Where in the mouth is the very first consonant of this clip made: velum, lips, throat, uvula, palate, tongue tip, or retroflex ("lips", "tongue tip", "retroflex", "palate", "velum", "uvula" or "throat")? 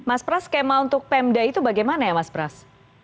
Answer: lips